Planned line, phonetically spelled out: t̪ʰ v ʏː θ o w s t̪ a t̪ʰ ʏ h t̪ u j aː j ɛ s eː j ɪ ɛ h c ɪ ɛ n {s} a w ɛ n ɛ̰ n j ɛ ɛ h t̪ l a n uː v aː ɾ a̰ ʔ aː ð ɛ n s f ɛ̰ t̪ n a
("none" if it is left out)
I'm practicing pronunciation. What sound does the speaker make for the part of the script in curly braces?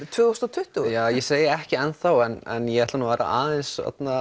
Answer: θ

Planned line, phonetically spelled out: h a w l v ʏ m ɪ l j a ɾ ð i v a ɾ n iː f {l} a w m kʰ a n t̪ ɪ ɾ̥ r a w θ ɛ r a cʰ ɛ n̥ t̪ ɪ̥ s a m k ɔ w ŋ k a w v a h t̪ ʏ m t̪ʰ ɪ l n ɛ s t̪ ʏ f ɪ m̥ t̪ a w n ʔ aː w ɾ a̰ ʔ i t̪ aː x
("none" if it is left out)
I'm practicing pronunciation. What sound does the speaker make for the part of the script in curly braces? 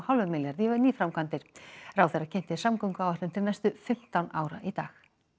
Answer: ɾ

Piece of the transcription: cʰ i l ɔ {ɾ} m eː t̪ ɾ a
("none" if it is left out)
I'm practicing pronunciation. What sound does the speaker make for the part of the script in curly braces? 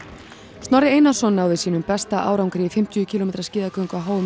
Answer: none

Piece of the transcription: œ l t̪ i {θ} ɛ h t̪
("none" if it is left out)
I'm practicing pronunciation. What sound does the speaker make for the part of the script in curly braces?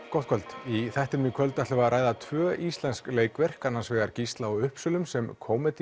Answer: θ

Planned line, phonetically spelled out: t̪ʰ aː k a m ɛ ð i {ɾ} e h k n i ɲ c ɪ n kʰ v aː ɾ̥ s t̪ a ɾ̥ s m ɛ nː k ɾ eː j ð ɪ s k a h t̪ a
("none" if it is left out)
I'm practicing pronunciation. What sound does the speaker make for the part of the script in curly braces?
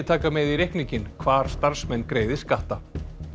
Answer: ɾ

